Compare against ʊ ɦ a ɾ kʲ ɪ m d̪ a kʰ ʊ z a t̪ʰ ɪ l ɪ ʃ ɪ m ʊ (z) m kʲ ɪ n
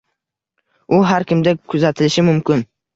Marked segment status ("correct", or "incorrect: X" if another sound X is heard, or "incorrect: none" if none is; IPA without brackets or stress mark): incorrect: none